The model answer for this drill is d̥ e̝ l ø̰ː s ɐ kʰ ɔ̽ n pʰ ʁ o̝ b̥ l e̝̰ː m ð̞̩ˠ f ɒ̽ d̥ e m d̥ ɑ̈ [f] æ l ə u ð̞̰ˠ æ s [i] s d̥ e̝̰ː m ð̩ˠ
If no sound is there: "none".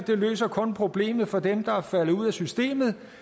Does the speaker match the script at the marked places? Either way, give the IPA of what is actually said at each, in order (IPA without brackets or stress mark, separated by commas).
f, y